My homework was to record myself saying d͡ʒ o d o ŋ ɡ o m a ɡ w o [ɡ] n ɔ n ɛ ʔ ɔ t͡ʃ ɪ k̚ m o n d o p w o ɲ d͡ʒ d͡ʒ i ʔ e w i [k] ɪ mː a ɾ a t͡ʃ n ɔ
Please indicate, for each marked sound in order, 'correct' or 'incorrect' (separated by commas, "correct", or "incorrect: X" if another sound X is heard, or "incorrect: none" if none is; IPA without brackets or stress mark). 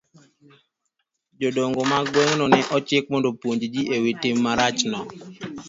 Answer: incorrect: ŋ, incorrect: t